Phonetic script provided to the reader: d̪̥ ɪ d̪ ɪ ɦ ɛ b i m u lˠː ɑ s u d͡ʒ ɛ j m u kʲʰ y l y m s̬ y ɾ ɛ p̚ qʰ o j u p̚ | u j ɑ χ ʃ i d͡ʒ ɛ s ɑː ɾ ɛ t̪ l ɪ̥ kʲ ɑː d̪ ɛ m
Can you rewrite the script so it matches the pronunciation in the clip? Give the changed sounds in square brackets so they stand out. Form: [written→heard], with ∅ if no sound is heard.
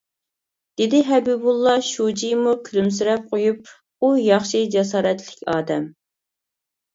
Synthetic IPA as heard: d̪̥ ɪ d̪ ɪ ɦ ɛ b i [m→b] u lˠː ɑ [s→ʃ] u d͡ʒ [ɛ→i] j m u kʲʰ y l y m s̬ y ɾ ɛ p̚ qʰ o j u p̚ | u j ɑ χ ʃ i d͡ʒ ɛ s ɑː ɾ ɛ t̪ l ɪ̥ kʲ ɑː d̪ ɛ m

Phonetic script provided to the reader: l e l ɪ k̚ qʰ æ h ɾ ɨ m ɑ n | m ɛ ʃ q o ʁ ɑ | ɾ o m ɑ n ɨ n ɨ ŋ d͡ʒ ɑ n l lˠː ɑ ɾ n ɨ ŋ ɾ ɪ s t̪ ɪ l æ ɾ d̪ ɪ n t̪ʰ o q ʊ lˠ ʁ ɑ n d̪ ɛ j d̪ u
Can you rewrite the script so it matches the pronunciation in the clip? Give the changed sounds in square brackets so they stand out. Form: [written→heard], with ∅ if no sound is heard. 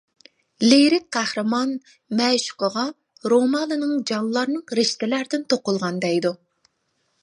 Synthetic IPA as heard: l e [l→ɾ] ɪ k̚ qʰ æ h ɾ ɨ m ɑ n | m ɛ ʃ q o ʁ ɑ | ɾ o m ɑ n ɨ n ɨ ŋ d͡ʒ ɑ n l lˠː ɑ ɾ n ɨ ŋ ɾ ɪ [s→ʃ] t̪ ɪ l æ ɾ d̪ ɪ n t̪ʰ o q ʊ lˠ ʁ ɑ n d̪ ɛ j d̪ u

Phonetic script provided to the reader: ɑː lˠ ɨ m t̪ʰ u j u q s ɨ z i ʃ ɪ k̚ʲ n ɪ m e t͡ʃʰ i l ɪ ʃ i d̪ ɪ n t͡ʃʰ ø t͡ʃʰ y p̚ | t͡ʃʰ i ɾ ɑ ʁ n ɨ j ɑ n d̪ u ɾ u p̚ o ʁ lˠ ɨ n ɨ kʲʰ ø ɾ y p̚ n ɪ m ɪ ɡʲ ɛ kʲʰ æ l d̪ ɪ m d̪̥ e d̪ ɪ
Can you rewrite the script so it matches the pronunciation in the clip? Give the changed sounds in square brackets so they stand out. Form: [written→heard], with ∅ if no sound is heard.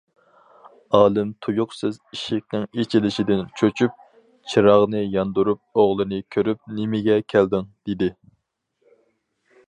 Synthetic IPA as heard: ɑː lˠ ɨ m t̪ʰ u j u q s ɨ z i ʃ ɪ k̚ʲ n ɪ [m→ŋ] e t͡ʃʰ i l ɪ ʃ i d̪ ɪ n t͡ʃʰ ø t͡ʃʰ y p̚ | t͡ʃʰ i ɾ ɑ ʁ n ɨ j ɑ n d̪ u ɾ u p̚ o ʁ lˠ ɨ n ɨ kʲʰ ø ɾ y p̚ n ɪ m ɪ ɡʲ ɛ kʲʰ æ l d̪ ɪ [m→ŋ] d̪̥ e d̪ ɪ

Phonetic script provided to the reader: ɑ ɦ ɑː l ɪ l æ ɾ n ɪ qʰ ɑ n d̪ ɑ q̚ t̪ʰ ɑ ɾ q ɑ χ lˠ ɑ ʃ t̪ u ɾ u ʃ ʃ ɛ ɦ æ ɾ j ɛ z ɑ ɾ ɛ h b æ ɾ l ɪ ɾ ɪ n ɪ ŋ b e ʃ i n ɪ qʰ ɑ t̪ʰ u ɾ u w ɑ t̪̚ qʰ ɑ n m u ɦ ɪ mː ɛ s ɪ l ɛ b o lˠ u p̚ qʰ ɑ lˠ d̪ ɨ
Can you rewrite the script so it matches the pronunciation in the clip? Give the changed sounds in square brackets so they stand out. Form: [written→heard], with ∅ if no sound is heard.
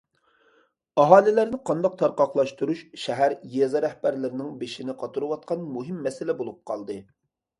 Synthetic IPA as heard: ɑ ɦ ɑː l ɪ l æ ɾ n ɪ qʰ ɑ n d̪ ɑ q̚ t̪ʰ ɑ ɾ q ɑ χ lˠ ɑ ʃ t̪ u ɾ u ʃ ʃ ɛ ɦ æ ɾ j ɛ z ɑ ɾ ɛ h b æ ɾ l ɪ ɾ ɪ n ɪ ŋ b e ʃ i n ɪ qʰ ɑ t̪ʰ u ɾ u w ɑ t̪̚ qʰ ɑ n m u ɦ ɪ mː ɛ s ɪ l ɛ b o lˠ u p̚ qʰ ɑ lˠ d̪ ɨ

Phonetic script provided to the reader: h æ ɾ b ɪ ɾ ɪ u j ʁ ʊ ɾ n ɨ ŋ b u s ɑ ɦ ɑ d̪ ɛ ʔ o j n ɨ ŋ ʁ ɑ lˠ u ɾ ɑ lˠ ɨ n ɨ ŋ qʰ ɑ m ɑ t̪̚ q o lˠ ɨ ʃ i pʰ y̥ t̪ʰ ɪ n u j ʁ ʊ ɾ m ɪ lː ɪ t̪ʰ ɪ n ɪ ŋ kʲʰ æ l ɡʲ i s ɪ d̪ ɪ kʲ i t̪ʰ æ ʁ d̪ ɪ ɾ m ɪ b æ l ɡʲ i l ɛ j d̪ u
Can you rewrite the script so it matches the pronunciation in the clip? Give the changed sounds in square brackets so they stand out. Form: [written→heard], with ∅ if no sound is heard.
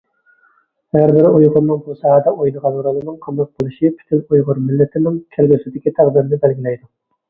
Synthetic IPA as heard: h æ ɾ b ɪ ɾ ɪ u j ʁ ʊ ɾ n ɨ ŋ b u s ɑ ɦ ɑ d̪ ɛ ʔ o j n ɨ [ŋ→∅] ʁ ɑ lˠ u ɾ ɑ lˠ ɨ n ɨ ŋ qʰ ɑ m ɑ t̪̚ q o lˠ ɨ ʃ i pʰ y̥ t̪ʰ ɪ n u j ʁ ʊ ɾ m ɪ lː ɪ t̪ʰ ɪ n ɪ ŋ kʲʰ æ l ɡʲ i s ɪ d̪ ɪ kʲ i t̪ʰ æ ʁ d̪ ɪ ɾ [m→n] ɪ b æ l ɡʲ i l ɛ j d̪ u

